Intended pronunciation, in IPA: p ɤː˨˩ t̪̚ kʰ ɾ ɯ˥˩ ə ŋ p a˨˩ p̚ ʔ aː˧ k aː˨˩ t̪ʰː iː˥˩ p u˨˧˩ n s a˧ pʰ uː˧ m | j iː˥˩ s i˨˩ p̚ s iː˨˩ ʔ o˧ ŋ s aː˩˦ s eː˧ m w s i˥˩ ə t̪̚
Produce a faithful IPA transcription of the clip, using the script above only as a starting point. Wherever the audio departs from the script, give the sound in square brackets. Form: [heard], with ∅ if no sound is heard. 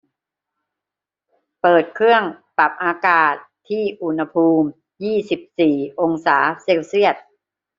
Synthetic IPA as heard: p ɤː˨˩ t̪̚ kʰ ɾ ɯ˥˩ ə ŋ p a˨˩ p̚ ʔ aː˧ k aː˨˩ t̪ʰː iː˥˩ [ʔ] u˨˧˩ n [h] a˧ pʰ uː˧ m | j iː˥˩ s i˨˩ p̚ s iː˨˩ ʔ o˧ ŋ s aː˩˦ s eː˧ [∅] w s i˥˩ ə t̪̚